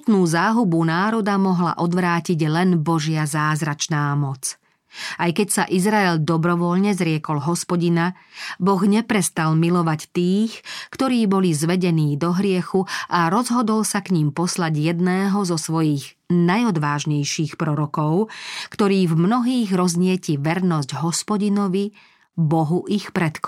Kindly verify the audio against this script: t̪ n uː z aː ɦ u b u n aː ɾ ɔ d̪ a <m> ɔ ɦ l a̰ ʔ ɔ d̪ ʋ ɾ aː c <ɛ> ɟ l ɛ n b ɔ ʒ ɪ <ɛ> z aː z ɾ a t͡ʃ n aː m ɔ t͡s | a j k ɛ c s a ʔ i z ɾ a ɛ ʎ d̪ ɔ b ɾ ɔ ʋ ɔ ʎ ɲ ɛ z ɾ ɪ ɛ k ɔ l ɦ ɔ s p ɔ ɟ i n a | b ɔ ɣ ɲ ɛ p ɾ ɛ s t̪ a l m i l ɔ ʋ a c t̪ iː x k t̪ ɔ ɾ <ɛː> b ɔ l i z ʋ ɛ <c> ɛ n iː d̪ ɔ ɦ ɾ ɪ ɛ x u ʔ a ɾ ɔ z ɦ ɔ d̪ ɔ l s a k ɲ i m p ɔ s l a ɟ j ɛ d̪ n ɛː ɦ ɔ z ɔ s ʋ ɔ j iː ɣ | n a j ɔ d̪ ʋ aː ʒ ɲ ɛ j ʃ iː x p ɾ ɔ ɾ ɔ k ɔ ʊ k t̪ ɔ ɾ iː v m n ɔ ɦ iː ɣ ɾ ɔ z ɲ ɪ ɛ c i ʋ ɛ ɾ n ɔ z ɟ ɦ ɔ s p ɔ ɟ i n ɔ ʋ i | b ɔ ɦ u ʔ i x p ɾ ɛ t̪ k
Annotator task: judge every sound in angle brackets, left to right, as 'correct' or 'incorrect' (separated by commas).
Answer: correct, incorrect, incorrect, incorrect, incorrect